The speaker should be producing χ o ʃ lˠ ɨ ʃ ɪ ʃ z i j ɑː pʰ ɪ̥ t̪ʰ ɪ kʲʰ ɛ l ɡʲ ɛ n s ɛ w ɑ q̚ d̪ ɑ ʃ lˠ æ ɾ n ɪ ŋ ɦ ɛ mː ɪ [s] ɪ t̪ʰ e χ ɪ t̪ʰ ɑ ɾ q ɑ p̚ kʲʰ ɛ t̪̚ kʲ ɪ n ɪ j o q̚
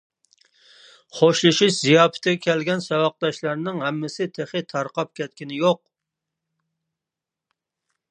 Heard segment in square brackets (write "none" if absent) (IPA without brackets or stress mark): s